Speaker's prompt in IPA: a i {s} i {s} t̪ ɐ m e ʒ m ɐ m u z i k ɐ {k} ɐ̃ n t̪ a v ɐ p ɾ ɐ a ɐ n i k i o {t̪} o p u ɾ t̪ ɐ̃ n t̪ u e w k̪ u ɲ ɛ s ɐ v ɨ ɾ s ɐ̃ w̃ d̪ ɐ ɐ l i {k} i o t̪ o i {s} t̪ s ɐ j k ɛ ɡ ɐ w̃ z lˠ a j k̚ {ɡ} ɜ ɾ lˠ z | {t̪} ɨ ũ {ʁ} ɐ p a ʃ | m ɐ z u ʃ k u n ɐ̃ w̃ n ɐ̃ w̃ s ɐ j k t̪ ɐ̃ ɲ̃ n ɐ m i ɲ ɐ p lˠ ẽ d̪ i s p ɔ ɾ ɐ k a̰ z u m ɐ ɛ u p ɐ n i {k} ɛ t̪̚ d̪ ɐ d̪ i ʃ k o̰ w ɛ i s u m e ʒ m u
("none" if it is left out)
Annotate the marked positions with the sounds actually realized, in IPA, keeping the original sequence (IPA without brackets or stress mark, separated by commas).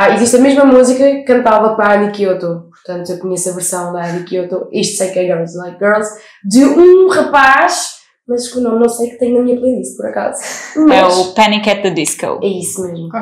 z, ʃ, k, t̪, k, ʃ, ɡ, d̪, ʁ, k